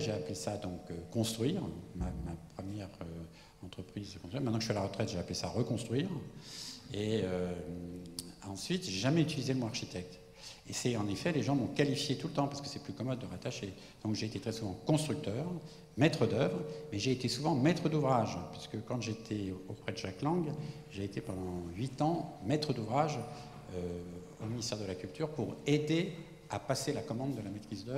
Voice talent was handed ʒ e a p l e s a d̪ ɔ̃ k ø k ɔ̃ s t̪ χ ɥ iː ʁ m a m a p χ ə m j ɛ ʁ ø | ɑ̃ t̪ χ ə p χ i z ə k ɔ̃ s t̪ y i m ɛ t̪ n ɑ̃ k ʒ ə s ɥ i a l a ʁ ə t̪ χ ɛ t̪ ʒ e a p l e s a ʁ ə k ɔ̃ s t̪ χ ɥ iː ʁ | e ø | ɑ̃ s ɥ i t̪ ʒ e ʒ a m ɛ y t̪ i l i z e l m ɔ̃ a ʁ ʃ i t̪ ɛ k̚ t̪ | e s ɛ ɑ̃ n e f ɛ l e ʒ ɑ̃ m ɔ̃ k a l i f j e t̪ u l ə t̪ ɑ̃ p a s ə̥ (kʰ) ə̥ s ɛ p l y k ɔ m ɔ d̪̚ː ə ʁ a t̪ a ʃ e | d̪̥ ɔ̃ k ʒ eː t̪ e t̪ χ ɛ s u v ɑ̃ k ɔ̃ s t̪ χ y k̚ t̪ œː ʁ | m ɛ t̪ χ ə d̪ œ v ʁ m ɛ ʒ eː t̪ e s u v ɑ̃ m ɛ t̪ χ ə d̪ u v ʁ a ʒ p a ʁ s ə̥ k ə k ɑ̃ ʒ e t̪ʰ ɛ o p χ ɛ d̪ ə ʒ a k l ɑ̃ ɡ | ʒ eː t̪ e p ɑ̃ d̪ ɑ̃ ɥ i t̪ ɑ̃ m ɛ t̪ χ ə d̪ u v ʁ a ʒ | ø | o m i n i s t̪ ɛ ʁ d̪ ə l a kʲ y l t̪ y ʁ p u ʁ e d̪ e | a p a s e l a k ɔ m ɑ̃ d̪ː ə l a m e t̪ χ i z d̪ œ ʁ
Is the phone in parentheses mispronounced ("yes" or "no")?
yes